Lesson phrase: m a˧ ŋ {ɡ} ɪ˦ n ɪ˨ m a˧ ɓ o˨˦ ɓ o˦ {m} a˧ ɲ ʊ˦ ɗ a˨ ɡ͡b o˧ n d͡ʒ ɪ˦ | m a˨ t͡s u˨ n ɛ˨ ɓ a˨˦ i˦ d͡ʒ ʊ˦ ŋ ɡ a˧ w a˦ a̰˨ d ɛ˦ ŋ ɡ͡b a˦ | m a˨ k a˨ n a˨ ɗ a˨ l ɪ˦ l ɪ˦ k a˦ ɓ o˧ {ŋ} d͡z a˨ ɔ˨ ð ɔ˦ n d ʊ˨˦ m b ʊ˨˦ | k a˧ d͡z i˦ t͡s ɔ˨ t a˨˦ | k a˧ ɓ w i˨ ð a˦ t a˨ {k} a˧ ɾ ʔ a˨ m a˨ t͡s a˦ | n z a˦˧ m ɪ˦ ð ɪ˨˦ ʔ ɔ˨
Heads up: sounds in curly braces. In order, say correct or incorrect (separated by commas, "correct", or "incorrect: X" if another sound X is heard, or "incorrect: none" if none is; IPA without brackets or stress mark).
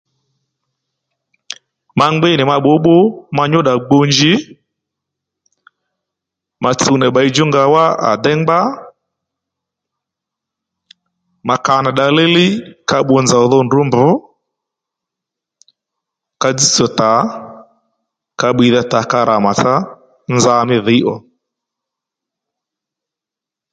incorrect: ɡ͡b, correct, incorrect: n, correct